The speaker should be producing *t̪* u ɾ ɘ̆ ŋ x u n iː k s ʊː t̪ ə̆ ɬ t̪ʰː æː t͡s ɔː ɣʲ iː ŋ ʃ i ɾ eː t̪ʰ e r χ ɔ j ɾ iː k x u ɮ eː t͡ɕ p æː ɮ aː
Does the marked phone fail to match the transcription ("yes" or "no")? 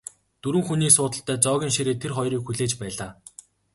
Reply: no